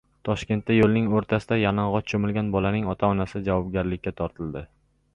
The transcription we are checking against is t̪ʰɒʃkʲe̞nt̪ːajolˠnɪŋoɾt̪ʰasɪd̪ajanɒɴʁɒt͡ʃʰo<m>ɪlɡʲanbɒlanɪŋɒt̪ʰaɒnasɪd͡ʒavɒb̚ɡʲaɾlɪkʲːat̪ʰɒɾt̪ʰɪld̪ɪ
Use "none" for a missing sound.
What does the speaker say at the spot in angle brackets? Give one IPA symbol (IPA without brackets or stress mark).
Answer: m